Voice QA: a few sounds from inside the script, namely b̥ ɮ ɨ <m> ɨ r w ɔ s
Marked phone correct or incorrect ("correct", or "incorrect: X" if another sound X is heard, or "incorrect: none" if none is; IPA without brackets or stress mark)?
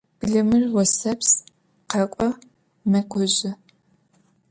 correct